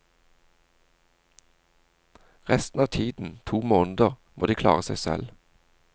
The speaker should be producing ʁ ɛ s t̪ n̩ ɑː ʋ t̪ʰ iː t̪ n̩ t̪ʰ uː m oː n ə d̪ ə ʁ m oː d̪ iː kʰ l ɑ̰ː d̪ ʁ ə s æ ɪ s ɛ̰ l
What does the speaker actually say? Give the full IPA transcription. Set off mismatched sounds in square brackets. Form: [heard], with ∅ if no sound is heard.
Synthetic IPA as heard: ʁ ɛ s t̪ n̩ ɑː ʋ t̪ʰ iː [d̪] n̩ t̪ʰ uː m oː n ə d̪ ə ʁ m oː d̪ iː kʰ l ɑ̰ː [∅] ʁ ə s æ ɪ s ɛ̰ l